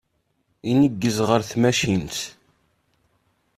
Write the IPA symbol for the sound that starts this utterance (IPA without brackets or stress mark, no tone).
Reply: i